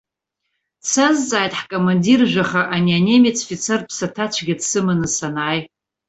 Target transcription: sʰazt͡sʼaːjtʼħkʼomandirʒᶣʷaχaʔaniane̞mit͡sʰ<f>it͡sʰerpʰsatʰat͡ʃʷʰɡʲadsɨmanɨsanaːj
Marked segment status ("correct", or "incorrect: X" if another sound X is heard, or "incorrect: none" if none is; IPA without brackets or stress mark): correct